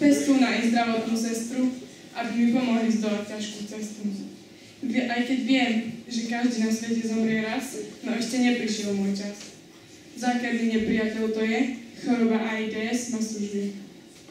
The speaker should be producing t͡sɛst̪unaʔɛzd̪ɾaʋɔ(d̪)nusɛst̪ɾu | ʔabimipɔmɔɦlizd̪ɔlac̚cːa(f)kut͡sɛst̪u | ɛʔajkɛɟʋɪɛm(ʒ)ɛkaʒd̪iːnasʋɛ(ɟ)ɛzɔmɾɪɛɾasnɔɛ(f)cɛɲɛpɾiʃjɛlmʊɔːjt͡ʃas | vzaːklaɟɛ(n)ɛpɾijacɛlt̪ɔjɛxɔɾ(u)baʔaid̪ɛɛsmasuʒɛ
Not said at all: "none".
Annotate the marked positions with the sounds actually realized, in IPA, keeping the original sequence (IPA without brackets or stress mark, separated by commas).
t̪, ʃ, ʒ, c, ʃ, ɲ, ɔ